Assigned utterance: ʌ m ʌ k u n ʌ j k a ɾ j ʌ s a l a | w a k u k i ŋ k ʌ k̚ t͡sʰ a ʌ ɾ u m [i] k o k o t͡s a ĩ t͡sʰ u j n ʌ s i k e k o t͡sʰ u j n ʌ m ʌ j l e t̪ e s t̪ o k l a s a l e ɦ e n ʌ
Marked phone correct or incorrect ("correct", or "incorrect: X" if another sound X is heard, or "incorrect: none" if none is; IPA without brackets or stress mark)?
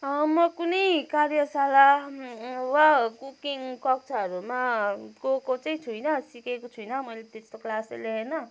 incorrect: a